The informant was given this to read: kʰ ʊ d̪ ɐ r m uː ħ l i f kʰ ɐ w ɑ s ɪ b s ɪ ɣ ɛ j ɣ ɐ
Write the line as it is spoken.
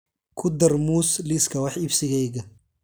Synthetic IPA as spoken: kʰ ʊ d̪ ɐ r m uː s l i s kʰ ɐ w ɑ ħ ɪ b s ɪ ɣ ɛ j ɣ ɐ